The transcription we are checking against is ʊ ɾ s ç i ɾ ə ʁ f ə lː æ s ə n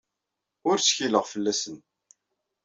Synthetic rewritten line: ʊ ɾ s ç i l ə ʁ f ə lː æ s ə n